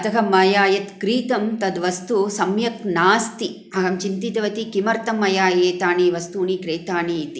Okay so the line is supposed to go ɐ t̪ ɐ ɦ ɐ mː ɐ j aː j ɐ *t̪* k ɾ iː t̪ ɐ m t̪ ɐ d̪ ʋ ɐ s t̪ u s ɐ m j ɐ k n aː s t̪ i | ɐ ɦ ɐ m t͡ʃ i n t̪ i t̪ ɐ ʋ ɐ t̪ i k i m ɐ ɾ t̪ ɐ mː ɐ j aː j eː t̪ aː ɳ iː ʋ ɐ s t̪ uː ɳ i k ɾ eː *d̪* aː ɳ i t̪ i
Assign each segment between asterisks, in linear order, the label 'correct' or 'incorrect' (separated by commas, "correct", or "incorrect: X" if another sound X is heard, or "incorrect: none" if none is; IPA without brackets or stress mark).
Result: correct, incorrect: t̪